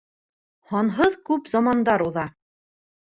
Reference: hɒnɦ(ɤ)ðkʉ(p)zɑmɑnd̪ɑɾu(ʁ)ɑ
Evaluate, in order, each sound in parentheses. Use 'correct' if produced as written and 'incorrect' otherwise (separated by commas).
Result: correct, correct, incorrect